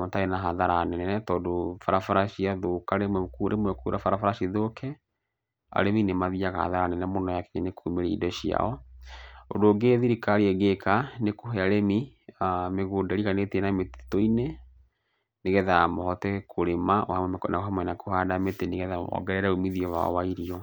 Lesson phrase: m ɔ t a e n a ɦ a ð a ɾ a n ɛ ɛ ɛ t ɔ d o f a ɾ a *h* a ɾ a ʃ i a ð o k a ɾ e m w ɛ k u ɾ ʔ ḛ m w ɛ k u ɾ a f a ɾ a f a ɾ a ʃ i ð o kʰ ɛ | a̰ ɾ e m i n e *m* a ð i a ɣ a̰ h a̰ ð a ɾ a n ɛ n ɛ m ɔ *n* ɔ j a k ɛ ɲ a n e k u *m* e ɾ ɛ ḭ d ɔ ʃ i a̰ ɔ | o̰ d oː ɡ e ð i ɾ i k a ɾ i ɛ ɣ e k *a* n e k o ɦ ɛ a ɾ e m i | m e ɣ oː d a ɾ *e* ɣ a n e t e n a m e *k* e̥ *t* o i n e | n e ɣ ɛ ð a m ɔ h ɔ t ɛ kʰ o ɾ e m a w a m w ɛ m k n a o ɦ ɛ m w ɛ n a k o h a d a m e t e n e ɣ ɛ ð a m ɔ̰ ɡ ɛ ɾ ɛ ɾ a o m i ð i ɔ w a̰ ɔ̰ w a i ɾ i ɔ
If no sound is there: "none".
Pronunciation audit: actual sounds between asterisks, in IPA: f, m, n, m, a, i, t, t

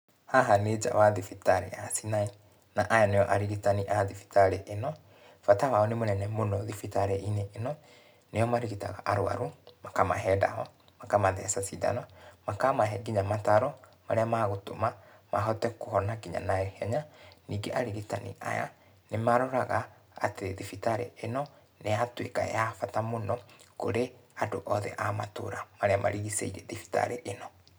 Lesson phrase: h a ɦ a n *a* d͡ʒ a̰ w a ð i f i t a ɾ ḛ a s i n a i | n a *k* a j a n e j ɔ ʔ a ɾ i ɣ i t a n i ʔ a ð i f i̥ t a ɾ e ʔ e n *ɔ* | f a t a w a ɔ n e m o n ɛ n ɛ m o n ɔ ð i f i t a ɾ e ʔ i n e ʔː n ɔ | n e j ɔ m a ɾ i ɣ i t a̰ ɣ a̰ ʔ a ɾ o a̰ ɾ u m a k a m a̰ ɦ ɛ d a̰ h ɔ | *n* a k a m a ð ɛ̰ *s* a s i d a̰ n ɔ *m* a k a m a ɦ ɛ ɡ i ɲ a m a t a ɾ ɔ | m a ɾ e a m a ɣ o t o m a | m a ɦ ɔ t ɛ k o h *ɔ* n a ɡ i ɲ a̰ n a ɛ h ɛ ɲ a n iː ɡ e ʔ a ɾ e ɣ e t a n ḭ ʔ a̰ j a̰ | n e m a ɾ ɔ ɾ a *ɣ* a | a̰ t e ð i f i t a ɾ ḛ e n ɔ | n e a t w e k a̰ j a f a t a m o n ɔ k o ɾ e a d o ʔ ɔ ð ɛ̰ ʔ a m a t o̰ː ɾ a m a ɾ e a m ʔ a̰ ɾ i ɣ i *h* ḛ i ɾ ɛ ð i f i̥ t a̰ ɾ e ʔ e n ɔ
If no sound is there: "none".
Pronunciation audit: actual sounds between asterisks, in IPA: e, ʔ, ɔ, m, s, m, ɔ, ɣ, s

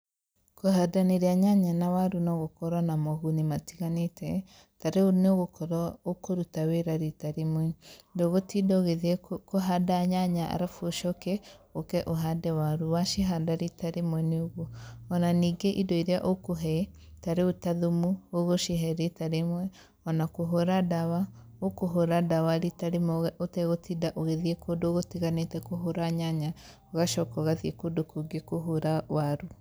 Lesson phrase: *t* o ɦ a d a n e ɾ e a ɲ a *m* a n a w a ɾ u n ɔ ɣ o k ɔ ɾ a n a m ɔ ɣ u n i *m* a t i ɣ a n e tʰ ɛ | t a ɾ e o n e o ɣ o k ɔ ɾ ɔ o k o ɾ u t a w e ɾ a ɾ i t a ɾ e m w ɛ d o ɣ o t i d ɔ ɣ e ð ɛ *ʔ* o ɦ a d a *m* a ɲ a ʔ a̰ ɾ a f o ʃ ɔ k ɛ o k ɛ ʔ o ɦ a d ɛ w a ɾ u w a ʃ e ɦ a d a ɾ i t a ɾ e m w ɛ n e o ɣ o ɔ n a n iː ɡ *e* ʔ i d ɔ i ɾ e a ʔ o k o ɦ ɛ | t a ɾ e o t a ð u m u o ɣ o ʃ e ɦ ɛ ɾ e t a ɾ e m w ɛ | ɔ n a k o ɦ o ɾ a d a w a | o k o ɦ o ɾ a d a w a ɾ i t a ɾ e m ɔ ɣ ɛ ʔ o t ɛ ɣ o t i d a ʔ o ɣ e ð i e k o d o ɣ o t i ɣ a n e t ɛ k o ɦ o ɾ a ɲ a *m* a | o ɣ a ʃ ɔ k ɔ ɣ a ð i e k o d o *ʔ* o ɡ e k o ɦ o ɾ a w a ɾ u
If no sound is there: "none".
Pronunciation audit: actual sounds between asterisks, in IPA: k, ɲ, m, k, ɲ, e, ɲ, k

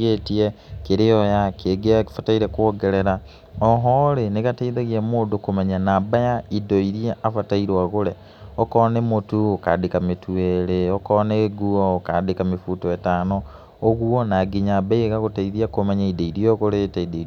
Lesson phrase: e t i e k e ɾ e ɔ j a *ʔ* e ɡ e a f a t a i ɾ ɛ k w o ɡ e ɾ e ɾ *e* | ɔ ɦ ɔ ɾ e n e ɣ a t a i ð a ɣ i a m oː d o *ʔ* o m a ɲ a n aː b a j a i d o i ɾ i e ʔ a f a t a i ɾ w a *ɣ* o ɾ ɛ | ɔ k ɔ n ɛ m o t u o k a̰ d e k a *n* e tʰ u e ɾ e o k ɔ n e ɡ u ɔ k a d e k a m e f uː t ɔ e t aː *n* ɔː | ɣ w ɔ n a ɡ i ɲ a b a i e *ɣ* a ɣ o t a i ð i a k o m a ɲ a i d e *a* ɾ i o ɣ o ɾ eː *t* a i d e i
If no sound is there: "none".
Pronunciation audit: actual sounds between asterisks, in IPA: k, a, k, ɣ, m, n, ɣ, i, t

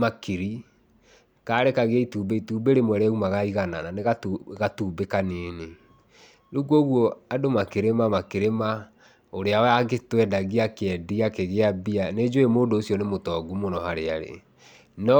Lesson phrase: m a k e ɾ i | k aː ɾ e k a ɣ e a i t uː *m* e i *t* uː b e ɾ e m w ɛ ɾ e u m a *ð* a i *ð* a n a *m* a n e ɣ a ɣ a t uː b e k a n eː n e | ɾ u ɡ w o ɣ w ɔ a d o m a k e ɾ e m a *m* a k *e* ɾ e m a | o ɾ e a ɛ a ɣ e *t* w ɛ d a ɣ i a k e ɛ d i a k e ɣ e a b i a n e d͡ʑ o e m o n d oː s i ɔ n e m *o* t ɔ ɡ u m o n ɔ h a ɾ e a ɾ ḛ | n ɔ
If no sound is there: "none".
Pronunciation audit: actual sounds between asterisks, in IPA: b, t, ɣ, ɣ, n, m, e, t, o

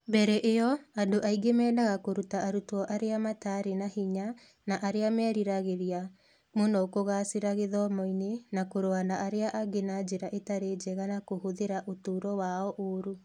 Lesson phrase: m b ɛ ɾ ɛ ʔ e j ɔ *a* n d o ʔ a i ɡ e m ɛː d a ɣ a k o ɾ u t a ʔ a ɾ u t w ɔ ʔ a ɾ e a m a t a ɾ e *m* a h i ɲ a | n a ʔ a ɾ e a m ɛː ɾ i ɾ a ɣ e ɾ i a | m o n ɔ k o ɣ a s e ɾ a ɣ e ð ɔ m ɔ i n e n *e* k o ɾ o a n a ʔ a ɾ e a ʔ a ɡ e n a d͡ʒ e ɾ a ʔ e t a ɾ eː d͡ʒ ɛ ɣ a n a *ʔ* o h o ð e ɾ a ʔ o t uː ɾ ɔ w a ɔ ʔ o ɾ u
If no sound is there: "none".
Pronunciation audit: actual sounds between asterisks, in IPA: a, n, a, k

